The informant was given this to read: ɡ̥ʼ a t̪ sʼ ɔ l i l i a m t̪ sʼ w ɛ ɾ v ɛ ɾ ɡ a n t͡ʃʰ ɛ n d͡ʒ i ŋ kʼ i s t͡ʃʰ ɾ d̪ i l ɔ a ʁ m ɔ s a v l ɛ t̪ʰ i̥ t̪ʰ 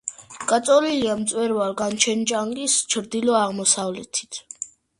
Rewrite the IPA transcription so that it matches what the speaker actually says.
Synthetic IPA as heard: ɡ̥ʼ a t̪ sʼ ɔ l i l i a m t̪ sʼ w ɛ ɾ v a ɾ ɡ a n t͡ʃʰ ɛ n d͡ʒ a ŋ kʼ i s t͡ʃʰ ɾ d̪ i l ɔ a ʁ m ɔ s a v l ɛ t̪ʰ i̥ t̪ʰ